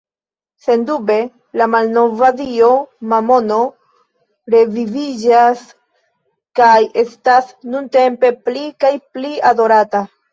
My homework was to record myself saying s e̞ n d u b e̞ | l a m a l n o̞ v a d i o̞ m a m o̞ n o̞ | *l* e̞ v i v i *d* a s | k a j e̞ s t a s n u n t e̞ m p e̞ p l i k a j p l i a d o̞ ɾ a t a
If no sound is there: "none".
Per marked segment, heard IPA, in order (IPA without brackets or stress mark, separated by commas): ɾ, d͡ʒ